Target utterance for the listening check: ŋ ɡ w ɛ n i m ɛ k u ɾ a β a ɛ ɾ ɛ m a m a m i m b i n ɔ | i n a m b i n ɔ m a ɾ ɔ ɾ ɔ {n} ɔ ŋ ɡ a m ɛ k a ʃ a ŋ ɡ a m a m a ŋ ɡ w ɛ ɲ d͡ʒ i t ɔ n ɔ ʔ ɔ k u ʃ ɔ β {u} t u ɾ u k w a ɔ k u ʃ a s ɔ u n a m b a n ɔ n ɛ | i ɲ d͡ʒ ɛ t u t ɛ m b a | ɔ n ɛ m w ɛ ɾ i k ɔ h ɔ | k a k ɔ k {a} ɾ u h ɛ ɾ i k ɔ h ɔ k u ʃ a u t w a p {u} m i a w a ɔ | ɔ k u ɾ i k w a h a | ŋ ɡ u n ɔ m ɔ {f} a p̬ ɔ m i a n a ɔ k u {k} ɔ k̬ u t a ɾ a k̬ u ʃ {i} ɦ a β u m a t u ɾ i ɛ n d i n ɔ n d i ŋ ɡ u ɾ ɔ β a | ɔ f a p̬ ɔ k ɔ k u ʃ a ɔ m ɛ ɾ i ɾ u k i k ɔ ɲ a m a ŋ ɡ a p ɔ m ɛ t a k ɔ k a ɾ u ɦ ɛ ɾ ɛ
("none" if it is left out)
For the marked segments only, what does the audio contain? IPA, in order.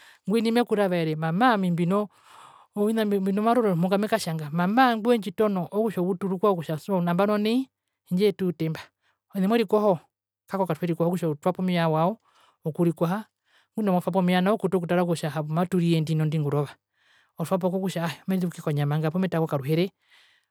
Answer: m, u, a, ɔ, f, t, a

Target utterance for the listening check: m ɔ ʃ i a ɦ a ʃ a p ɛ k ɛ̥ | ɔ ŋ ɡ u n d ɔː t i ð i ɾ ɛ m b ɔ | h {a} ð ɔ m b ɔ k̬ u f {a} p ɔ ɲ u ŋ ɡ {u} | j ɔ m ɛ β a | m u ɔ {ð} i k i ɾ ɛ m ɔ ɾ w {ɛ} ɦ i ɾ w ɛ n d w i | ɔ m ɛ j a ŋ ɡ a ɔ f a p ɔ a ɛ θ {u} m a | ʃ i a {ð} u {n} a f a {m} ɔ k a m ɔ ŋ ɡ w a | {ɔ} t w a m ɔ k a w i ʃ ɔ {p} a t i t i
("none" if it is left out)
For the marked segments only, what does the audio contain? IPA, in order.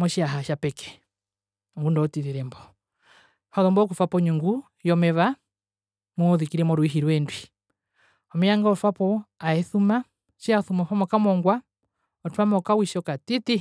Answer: a, a, u, ð, i, u, θ, m, m, ɔ, k

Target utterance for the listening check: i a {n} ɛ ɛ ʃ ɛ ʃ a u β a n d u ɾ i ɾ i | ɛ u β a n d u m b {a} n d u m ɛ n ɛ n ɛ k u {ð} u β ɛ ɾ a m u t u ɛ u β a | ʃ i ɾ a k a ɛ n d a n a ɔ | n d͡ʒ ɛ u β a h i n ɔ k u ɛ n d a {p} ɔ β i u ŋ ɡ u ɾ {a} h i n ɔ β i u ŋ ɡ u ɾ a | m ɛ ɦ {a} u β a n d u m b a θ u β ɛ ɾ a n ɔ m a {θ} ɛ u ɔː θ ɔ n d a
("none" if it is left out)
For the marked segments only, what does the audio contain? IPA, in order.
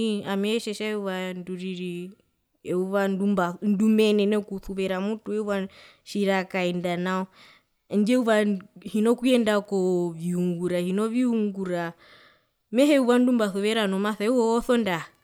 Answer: m, a, θ, k, a, ɛ, θ

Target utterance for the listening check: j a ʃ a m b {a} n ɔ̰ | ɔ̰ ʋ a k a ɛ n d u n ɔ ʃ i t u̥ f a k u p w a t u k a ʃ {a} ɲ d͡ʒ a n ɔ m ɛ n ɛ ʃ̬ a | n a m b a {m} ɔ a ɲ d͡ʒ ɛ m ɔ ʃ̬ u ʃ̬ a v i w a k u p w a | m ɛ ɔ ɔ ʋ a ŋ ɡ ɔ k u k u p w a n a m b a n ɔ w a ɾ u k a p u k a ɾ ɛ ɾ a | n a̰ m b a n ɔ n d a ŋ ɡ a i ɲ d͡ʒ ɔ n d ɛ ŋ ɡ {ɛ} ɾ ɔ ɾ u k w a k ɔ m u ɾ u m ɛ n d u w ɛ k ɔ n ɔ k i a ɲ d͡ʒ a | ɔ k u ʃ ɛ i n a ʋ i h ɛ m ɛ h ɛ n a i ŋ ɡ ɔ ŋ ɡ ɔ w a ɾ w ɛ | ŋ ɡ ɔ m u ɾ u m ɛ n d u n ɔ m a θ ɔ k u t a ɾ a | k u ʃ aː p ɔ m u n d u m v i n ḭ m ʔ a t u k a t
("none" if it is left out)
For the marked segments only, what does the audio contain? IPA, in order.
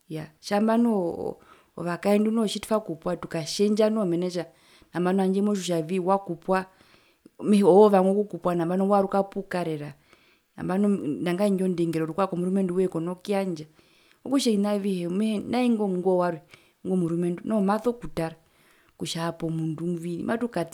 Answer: a, ɛ, n, ɛ

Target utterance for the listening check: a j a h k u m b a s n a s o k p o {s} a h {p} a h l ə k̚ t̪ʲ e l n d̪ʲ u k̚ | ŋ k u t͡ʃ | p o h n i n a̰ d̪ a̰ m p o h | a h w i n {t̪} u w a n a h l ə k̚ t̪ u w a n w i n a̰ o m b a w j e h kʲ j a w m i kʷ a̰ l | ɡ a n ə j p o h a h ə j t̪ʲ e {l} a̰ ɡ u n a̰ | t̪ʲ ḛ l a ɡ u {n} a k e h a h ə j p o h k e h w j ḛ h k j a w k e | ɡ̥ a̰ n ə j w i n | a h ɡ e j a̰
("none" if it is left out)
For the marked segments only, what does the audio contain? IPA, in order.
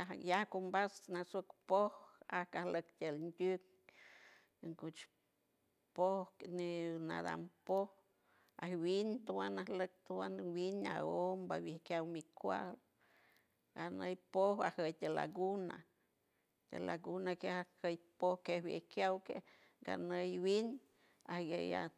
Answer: h, k, t̪, l, n

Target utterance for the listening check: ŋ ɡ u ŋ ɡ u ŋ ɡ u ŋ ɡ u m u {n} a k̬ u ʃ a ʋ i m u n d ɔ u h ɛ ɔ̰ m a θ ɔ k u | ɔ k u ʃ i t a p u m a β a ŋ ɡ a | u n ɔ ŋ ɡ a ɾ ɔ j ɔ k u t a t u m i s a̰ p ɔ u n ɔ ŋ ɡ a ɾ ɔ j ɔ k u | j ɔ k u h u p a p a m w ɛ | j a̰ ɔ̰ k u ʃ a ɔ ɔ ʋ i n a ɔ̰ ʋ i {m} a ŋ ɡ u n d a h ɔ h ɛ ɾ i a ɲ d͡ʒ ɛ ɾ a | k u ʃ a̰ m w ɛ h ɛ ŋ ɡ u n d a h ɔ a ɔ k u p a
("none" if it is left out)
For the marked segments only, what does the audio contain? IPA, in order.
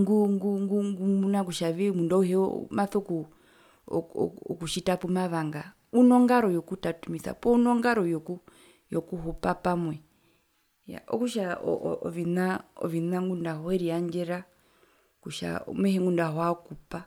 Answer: n, n

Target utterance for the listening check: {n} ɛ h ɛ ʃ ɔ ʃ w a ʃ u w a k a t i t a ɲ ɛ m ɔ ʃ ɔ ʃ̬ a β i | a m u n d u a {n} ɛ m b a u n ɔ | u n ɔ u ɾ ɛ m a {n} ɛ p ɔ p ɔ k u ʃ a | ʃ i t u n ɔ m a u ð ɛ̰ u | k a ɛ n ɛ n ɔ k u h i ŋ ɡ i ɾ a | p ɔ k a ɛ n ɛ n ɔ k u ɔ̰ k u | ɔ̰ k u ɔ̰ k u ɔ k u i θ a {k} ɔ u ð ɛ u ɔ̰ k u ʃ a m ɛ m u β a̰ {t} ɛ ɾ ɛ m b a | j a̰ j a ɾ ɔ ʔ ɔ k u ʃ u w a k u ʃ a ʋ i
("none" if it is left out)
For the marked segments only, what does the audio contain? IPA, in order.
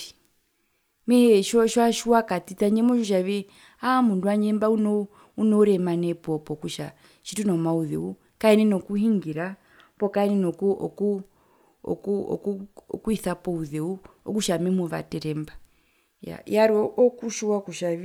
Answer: m, ɲ, n, p, t

